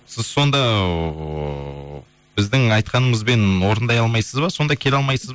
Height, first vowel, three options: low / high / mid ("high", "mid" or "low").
high